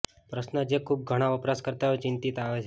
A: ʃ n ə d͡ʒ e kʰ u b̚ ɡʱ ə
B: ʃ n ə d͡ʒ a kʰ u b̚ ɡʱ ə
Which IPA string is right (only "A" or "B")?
A